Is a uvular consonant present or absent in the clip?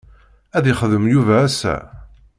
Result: present